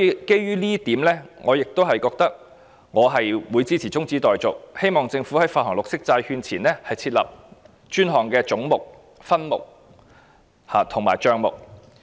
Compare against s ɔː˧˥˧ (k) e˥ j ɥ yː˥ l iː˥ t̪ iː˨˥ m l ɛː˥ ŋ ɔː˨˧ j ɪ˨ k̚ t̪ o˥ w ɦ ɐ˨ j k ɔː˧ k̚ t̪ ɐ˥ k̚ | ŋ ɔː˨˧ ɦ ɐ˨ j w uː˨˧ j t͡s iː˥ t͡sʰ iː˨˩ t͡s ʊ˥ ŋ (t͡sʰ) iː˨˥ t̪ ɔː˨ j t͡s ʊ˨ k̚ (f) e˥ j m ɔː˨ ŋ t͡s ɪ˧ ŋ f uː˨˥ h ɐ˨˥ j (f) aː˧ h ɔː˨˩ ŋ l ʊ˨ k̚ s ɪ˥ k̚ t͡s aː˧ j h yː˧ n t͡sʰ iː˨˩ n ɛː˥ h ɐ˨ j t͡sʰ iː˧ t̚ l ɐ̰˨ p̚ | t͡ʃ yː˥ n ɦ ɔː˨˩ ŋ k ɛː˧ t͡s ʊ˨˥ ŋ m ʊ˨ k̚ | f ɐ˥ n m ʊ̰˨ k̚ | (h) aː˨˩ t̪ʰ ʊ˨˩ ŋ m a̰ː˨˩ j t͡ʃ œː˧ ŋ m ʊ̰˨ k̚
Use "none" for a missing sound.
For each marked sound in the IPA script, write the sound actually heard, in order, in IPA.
k, t͡s, h, f, h

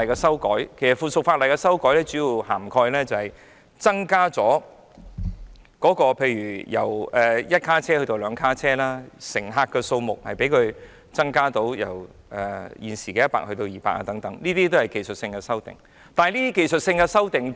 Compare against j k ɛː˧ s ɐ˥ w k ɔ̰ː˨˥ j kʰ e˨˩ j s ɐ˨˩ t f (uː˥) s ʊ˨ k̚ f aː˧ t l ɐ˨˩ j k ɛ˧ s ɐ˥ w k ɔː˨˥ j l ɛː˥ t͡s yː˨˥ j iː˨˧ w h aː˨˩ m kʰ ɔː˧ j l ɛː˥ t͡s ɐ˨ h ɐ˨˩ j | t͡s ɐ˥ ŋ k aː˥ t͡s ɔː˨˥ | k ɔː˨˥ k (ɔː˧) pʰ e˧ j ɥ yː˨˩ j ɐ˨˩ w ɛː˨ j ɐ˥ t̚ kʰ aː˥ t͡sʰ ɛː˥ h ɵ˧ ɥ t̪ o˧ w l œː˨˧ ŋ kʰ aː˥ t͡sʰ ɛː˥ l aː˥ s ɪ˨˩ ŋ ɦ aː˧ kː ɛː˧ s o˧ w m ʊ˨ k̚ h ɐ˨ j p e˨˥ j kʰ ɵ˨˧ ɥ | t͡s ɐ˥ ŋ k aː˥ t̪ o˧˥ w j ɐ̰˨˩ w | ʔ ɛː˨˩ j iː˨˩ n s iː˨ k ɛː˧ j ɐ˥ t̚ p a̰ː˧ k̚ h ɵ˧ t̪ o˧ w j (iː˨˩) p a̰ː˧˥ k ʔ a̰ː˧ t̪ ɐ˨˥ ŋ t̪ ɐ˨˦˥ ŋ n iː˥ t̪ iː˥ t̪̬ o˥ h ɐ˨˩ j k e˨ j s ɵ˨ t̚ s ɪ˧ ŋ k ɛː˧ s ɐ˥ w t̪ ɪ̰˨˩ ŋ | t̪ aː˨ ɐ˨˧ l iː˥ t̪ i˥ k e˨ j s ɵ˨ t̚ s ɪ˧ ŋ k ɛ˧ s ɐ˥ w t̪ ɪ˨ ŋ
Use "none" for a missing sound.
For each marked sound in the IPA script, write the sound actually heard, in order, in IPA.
uː˨˩, ɔː˧, iː˨˩

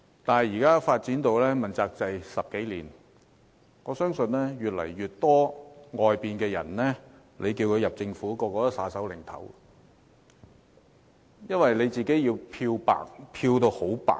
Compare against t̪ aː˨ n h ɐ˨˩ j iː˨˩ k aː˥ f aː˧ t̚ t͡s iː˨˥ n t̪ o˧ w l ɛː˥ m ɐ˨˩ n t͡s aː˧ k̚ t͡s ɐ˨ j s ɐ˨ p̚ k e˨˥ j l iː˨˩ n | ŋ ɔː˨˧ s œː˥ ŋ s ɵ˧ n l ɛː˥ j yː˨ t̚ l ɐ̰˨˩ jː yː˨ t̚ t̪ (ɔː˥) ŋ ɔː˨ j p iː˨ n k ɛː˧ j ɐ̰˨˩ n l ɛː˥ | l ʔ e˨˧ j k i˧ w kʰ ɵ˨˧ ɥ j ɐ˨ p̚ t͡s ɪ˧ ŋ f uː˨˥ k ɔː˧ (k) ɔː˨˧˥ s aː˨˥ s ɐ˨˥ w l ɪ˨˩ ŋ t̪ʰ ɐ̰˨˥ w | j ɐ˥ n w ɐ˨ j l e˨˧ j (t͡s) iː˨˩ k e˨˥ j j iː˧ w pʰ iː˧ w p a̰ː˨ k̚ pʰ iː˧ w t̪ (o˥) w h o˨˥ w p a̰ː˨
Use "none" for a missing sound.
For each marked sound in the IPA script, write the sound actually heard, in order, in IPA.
ɔː˥, k, t͡s, o˧

